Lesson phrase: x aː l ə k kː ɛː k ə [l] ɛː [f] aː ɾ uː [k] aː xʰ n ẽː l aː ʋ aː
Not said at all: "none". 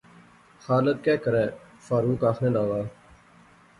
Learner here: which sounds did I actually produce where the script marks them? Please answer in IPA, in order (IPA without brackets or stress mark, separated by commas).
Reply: ɾ, f, k